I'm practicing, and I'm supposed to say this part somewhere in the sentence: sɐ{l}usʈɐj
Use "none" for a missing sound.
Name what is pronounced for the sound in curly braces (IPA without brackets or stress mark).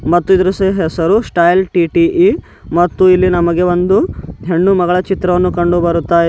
ɾ